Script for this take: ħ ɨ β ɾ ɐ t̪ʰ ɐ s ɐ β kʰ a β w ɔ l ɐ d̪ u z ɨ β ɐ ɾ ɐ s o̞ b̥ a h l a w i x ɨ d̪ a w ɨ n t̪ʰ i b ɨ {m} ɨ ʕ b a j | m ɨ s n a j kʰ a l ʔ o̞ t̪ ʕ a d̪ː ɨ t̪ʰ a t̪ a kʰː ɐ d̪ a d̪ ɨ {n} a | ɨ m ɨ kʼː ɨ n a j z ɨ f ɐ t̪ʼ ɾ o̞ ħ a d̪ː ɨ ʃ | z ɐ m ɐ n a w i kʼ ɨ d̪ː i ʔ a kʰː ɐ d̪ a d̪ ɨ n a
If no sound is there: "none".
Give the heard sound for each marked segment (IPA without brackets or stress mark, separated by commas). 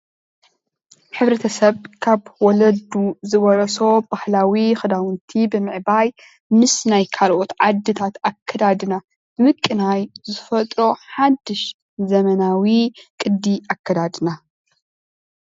m, n